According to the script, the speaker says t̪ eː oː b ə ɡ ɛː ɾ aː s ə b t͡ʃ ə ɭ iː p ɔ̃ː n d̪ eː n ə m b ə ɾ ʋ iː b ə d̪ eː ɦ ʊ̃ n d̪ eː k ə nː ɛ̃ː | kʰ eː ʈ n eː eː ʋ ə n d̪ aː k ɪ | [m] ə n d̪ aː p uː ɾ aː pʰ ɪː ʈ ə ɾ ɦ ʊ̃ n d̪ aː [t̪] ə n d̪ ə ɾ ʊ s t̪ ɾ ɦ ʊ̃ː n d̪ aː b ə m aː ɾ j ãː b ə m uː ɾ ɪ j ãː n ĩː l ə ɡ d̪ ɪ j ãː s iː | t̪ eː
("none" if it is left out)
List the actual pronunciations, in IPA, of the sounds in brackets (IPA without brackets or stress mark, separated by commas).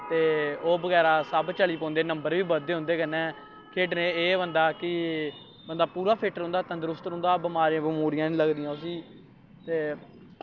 b, t̪